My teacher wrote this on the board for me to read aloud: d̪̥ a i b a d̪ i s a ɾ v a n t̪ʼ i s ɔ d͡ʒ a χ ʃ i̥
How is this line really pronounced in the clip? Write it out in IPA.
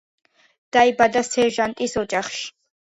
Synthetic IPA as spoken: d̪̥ a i b a d̪ a s ɛ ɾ ʒ a n t̪ʼ i s ɔ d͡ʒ a χ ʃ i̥